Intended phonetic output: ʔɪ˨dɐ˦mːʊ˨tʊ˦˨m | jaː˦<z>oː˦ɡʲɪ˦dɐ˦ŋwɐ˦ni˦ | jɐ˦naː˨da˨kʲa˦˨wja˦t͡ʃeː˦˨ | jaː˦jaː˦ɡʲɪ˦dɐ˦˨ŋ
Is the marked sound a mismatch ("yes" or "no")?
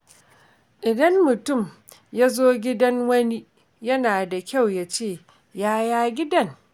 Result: no